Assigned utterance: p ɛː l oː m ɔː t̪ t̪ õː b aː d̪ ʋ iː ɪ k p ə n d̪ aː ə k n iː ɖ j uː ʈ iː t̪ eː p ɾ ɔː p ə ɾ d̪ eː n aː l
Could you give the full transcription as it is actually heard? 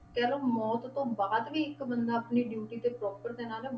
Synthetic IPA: k ɛː l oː m ɔː t̪ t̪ õː b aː d̪ ʋ iː ɪ k b ə n d̪ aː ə p n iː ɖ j uː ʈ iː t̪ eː p ɾ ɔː p ə ɾ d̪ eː n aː l